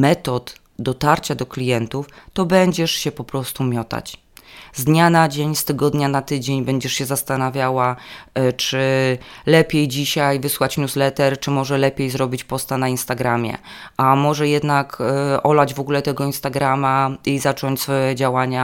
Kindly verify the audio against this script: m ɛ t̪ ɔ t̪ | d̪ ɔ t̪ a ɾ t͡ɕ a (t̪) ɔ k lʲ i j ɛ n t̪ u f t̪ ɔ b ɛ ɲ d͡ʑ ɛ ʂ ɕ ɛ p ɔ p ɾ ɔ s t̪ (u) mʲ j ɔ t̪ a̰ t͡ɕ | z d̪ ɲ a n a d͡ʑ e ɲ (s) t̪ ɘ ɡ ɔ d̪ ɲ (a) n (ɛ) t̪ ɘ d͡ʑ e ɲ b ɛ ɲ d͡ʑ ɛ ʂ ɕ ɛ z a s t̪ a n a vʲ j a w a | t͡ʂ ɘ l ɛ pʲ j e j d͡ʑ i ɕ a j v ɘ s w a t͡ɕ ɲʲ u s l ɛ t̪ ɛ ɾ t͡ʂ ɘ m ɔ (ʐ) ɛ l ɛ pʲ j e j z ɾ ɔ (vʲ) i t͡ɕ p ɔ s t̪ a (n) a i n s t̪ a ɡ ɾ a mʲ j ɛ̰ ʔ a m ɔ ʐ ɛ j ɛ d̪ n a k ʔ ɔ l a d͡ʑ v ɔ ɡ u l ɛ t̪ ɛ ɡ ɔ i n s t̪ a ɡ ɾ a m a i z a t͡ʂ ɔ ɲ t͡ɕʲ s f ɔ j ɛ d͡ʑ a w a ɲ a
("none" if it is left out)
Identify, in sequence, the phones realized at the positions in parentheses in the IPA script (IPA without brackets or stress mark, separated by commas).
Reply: d̪, u, s, a, a, ʐ, bʲ, n